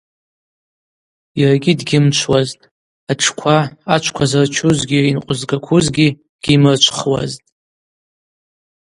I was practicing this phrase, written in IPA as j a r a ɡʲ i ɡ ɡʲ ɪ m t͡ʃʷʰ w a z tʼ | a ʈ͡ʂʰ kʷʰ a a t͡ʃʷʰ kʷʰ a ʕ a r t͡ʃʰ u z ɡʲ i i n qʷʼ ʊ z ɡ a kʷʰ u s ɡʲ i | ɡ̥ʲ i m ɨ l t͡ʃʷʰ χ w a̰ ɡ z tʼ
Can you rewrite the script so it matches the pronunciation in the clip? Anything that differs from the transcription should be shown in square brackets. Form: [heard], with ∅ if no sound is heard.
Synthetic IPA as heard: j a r a ɡʲ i [d] ɡʲ ɪ m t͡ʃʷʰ w a z tʼ | a ʈ͡ʂʰ kʷʰ a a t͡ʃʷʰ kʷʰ a [z] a r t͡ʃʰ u z ɡʲ i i n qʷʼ ʊ z ɡ a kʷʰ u [z] ɡʲ i | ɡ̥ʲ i m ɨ [r] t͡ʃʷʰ χ w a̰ [∅] z tʼ